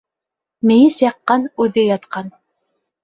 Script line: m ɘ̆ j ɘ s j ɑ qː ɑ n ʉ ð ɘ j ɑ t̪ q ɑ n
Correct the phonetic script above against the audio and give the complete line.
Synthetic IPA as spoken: m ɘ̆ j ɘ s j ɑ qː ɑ n ʉ ð ɘ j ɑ t̪ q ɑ n